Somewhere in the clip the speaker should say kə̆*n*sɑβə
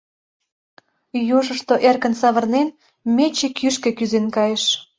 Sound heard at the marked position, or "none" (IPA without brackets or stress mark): n